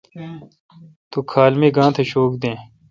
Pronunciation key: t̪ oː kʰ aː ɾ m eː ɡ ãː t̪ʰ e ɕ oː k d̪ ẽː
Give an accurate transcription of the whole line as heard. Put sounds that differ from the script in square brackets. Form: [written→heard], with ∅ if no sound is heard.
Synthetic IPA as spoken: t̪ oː kʰ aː [ɾ→l] m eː ɡ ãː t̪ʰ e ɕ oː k d̪ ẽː